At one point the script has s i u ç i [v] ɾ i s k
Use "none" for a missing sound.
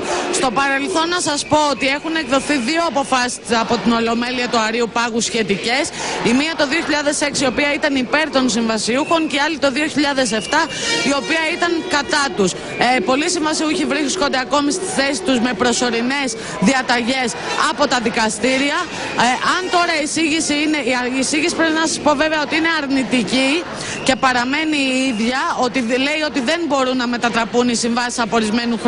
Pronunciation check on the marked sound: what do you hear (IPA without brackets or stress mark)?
v